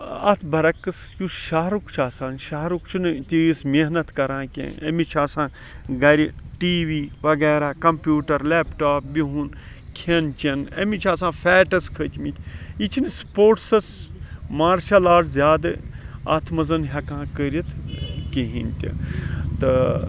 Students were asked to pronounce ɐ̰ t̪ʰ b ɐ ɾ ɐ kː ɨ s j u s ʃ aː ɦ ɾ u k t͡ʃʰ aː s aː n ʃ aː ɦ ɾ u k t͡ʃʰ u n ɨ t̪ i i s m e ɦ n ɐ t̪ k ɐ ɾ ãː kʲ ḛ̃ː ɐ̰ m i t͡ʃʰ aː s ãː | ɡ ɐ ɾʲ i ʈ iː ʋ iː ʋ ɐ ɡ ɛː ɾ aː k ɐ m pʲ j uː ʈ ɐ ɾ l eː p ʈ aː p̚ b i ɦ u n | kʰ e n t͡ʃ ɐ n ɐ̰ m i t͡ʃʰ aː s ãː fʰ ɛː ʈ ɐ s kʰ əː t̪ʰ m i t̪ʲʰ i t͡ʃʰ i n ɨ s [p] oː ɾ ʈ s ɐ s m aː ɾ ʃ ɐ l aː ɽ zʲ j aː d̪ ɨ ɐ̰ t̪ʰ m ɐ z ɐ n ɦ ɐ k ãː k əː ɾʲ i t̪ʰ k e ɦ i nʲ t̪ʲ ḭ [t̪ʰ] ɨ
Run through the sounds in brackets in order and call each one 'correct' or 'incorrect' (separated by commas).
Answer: correct, incorrect